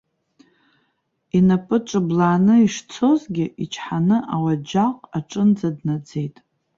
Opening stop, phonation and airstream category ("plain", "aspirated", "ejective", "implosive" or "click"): ejective